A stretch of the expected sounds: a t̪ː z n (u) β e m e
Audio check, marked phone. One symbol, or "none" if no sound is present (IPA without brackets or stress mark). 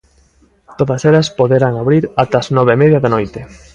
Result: ɔ